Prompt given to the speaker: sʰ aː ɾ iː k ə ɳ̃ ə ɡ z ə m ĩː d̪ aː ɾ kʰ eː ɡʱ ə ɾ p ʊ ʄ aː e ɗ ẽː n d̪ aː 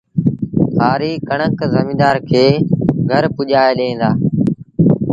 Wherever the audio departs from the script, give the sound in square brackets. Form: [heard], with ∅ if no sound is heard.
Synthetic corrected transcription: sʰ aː ɾ iː k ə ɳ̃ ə [k] z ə m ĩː d̪ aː ɾ kʰ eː ɡʱ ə ɾ p ʊ ʄ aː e ɗ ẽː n d̪ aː